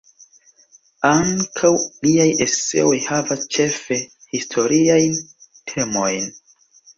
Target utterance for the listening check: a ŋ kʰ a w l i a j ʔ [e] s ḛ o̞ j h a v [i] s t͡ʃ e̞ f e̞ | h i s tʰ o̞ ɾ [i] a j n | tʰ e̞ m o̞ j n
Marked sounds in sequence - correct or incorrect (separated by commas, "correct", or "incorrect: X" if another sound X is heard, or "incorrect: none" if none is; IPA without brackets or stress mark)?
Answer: correct, incorrect: a, correct